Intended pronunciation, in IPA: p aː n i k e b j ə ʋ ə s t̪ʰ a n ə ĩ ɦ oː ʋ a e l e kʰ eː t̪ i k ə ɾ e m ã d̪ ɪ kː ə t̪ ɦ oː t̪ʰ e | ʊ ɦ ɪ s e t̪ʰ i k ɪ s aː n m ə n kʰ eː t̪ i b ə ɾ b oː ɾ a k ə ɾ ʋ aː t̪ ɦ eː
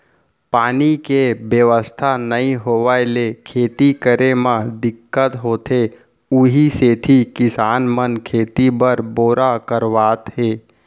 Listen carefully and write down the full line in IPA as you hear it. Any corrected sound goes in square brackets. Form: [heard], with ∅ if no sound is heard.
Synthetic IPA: p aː n i k e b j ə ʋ ə s t̪ʰ a n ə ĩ ɦ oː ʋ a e l e kʰ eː t̪ i k ə ɾ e m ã d̪ ɪ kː ə t̪ ɦ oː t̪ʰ e | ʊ ɦ [i] s e t̪ʰ i k ɪ s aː n m ə n kʰ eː t̪ i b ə ɾ b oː ɾ a k ə ɾ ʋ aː t̪ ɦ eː